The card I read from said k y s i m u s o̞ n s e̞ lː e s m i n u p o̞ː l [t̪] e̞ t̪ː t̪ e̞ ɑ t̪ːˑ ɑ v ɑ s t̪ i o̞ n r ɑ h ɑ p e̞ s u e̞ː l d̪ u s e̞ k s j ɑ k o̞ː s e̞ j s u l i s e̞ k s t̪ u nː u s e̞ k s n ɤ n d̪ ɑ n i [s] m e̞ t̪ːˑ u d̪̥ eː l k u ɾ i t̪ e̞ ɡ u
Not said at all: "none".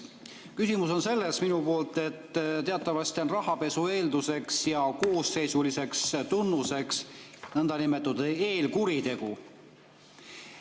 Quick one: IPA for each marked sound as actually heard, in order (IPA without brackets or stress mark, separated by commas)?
t̪, none